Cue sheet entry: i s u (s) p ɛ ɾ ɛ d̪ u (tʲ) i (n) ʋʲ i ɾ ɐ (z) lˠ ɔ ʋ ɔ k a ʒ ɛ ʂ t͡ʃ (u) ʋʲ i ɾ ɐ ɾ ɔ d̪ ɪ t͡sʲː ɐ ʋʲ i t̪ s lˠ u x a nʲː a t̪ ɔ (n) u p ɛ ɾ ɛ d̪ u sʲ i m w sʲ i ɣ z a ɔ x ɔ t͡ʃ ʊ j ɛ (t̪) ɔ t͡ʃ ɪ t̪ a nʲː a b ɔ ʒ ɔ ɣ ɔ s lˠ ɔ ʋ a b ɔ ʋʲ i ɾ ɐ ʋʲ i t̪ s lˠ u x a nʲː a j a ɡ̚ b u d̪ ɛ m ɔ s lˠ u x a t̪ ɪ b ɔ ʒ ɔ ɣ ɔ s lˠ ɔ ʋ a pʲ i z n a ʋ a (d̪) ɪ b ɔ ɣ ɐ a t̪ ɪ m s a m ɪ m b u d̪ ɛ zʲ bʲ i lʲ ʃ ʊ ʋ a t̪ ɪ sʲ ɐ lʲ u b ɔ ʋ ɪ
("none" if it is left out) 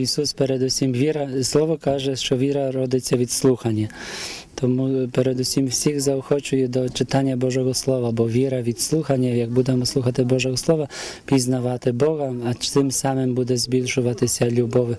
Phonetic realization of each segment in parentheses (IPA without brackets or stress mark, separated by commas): s, sʲ, m, s, ɔ, m, d̪, t̪